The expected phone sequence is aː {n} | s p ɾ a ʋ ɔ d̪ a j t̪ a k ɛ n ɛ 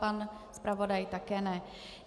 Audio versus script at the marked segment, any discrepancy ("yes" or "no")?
no